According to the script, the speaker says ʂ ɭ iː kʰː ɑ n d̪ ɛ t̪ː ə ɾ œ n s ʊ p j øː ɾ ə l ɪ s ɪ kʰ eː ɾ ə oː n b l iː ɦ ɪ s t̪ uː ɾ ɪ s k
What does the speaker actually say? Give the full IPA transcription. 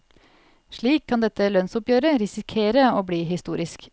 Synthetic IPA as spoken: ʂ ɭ iː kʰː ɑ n d̪ ɛ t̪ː ə l œ n s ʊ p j øː ɾ ə ɾ ɪ s ɪ kʰ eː ɾ ə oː b l iː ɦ ɪ s t̪ uː ɾ ɪ s k